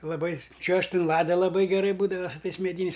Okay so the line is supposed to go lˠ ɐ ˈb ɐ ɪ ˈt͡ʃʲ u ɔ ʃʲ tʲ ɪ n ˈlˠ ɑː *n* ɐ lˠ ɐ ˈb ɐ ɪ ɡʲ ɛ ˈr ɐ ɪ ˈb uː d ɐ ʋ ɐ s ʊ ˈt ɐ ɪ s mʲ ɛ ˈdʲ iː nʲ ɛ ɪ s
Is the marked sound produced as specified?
no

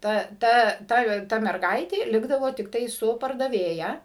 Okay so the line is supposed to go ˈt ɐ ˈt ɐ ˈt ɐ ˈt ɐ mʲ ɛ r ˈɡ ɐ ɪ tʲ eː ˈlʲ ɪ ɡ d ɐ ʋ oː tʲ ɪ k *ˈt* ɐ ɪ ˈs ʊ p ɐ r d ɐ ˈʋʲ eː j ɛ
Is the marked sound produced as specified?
yes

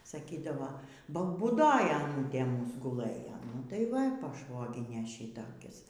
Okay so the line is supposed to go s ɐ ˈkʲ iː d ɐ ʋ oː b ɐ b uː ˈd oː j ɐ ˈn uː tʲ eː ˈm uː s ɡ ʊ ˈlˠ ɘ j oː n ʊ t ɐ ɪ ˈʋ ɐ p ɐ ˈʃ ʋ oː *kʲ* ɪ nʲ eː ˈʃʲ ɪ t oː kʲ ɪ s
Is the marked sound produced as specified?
no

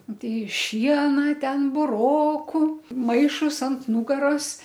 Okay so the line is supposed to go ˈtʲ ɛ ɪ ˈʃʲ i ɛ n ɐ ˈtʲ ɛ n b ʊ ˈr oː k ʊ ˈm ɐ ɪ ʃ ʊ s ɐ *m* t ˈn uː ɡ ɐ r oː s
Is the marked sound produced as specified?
no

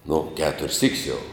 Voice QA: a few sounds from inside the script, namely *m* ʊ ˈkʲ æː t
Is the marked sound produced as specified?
no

